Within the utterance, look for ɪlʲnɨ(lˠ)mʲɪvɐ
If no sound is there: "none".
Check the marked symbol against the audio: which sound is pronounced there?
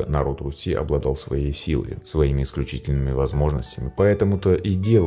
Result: none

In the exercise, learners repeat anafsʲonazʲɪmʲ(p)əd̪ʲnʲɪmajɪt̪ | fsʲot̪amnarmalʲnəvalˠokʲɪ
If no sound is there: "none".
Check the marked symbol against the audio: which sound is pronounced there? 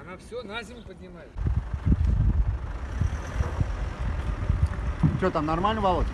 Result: p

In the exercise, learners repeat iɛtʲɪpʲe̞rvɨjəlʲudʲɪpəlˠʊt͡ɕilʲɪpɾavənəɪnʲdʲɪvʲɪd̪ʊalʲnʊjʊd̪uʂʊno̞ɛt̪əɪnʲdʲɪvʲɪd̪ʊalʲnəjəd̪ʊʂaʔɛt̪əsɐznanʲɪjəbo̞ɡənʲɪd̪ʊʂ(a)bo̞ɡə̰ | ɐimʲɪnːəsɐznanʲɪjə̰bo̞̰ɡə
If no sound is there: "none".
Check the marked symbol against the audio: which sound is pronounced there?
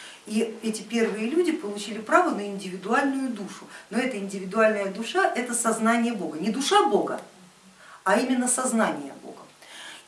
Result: a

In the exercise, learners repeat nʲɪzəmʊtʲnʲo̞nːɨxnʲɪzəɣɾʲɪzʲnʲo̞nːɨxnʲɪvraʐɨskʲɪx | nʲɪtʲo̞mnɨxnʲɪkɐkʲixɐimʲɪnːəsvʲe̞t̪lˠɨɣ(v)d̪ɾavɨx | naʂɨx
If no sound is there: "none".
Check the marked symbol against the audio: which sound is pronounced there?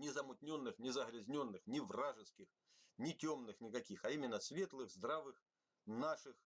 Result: z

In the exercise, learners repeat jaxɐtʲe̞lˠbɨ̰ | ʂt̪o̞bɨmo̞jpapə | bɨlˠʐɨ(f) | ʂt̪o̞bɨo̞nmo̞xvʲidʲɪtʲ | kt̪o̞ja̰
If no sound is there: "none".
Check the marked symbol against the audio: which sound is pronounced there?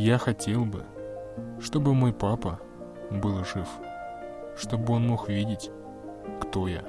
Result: f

